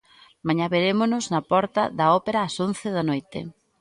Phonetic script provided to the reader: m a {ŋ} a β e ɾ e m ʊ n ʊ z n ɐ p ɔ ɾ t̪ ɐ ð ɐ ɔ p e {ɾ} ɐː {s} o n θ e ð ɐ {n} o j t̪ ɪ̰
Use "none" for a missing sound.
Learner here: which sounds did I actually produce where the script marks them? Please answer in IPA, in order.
ɲ, ɾ, s, n

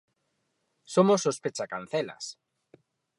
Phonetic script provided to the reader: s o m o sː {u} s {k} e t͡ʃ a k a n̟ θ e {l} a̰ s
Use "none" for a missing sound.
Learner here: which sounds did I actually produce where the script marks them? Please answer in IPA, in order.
o, p, l

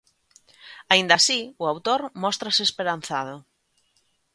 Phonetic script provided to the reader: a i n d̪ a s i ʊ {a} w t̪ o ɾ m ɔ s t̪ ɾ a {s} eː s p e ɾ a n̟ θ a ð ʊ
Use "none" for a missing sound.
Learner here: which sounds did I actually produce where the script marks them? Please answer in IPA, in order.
a, s

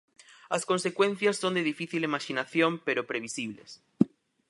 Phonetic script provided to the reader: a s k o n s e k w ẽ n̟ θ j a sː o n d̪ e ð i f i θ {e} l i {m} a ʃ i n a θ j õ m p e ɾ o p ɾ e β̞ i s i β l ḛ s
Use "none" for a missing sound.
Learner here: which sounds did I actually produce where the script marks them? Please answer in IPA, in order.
i, m

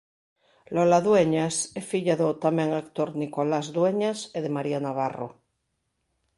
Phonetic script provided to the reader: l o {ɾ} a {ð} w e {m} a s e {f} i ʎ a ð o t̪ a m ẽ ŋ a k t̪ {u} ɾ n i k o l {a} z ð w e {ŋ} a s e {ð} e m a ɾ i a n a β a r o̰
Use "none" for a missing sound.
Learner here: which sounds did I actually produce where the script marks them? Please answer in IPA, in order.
l, ð, ɲ, f, o, a, ɲ, ð

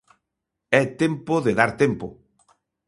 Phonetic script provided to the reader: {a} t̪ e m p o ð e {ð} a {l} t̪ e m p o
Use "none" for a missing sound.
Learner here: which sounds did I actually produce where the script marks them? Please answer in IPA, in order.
ɛ, ð, ɾ

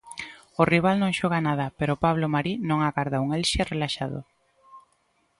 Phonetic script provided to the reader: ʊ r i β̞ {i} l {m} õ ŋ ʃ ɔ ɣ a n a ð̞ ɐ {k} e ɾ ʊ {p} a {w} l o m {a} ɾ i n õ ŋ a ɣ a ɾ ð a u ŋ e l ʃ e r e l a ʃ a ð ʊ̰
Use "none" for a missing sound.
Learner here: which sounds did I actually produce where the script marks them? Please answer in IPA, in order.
a, n, p, p, β, a

